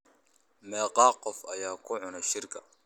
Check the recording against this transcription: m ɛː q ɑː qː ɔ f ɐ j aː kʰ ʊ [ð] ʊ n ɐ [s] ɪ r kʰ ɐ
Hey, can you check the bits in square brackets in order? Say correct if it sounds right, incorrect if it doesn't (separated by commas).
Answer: incorrect, incorrect